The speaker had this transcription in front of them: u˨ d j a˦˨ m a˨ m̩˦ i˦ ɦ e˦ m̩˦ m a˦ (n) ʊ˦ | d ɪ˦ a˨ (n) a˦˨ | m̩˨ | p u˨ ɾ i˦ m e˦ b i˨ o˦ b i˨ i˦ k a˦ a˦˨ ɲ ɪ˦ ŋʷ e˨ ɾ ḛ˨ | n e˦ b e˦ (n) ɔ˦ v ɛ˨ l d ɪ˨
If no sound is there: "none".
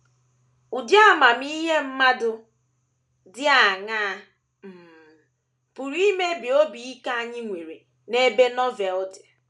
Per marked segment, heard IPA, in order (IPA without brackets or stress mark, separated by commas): d, ŋ, n